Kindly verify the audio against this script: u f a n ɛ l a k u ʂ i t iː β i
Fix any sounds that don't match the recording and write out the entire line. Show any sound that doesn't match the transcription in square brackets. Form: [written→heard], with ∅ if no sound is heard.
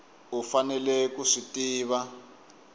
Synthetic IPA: u f a n ɛ l [a→ɛ] k u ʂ i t iː β [i→a]